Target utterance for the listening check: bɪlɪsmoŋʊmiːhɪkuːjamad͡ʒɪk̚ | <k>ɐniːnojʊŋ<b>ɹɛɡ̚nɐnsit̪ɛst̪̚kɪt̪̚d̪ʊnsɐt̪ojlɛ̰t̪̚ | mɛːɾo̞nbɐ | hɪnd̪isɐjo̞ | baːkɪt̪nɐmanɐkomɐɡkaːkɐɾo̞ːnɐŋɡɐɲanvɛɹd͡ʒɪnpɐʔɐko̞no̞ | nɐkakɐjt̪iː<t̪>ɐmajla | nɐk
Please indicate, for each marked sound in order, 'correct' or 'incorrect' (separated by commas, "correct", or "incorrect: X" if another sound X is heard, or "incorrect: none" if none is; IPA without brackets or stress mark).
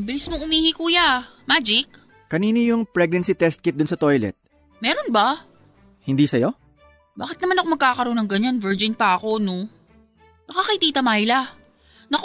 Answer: correct, incorrect: p, correct